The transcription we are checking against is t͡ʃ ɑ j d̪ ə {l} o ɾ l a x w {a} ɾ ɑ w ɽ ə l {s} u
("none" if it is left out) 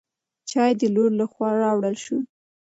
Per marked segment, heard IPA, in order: l, ɑ, ʃ

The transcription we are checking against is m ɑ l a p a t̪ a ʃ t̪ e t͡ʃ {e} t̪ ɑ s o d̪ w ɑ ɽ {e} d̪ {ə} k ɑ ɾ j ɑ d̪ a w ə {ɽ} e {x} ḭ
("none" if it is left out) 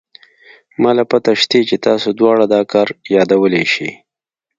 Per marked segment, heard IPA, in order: e, a, ɑ, l, ʃ

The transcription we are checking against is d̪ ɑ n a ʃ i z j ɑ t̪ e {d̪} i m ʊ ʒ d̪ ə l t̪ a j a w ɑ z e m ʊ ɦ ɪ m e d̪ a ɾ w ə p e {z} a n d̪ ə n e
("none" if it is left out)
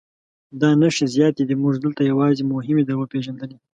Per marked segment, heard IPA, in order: d̪, ʒ

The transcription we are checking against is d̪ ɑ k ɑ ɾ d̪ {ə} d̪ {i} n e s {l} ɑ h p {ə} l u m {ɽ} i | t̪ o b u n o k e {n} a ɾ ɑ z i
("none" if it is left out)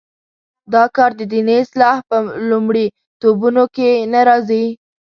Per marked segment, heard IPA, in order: ə, i, l, ə, ɽ, n

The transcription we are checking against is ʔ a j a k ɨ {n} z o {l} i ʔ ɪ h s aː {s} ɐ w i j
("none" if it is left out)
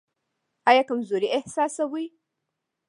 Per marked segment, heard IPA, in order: m, ɾ, s

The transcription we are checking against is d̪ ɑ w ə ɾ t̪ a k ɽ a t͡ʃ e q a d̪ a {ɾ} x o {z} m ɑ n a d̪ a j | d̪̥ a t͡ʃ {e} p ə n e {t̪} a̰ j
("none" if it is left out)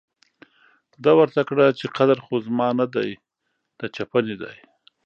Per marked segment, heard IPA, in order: ɾ, z, a, d̪

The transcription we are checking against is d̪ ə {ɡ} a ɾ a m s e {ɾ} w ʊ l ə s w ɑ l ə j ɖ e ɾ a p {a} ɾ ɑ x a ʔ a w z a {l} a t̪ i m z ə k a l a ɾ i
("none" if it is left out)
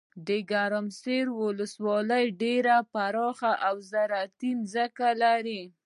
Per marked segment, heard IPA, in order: ɡ, ɾ, a, ɾ

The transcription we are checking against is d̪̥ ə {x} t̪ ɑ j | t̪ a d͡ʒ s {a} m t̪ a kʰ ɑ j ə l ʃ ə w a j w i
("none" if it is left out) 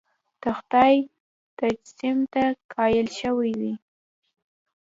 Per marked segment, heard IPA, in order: x, i

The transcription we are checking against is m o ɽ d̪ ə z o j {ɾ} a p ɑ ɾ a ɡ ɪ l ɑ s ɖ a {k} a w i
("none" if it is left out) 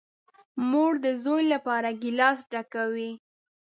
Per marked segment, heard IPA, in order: l, k

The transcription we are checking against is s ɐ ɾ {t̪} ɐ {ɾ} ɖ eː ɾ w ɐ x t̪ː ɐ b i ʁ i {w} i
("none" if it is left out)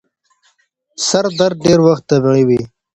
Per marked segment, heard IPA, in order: d̪, ɾ, w

